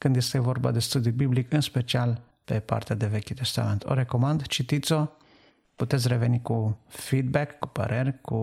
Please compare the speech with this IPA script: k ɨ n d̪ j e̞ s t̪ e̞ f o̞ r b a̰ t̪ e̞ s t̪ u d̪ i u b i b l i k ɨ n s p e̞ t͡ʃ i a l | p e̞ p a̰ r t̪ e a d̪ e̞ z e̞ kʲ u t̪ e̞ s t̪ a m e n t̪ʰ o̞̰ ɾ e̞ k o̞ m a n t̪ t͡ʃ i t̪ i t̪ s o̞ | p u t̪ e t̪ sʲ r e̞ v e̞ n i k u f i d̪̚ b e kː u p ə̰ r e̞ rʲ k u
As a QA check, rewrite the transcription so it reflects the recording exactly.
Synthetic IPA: k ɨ n d̪ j e̞ s t̪ e̞ v o̞ r b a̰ d̪ e̞ s t̪ u d̪ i u b i b l i k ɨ n s p e̞ t͡ʃ i a l | p e̞ p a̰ r t̪ e a d̪ e̞ v e̞ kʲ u t̪ e̞ s t̪ a m e n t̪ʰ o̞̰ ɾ e̞ k o̞ m a n d̪ t͡ʃ i t̪ i t̪ s o̞ | p u t̪ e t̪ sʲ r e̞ v e̞ n i k u f i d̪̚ b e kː u p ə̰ ɾ e̞ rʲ k u